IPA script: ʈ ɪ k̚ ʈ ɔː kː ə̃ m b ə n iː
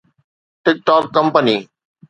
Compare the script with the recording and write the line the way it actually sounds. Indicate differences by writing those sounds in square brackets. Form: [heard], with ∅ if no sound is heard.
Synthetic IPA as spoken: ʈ ɪ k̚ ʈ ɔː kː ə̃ m [p] ə n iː